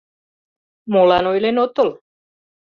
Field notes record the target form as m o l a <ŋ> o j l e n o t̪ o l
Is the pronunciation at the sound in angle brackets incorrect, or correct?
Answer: incorrect